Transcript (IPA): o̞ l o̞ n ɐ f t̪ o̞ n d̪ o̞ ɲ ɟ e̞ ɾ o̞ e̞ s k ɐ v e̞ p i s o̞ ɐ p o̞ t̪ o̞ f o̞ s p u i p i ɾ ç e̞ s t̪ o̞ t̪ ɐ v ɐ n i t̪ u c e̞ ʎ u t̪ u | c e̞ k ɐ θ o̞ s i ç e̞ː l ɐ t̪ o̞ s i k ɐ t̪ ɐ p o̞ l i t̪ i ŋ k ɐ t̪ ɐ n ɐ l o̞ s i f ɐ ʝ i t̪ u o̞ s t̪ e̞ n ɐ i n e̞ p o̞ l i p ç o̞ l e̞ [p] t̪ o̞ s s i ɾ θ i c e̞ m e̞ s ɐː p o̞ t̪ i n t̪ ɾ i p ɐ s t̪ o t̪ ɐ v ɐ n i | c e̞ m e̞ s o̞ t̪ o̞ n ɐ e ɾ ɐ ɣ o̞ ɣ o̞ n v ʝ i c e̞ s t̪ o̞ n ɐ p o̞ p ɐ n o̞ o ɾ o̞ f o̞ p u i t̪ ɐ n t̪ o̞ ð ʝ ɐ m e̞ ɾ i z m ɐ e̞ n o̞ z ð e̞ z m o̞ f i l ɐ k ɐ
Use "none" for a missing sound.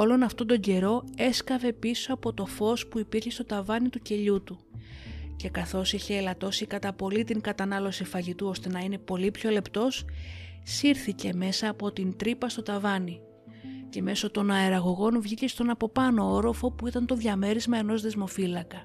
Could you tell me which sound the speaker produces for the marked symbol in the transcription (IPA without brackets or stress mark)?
p